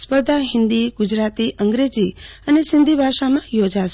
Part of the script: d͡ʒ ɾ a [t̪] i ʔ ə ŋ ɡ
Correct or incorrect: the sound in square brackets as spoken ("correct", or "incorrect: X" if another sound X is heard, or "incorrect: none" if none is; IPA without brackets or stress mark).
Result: correct